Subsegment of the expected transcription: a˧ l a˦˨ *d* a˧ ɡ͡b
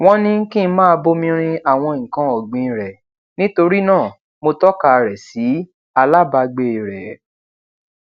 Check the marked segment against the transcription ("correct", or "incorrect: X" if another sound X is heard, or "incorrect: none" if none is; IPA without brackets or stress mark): incorrect: b